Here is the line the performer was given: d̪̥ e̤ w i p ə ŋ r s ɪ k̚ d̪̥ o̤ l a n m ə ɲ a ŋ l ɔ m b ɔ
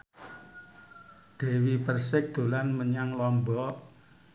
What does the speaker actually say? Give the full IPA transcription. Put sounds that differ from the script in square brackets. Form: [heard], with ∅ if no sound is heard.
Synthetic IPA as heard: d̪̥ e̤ w i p ə [∅] r s ɪ k̚ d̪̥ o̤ l a n m ə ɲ a ŋ l ɔ m b ɔ